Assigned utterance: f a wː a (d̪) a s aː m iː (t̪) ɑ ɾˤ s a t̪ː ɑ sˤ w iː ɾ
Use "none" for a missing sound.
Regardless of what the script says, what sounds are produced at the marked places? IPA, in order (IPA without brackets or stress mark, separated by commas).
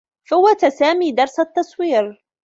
t̪, d̪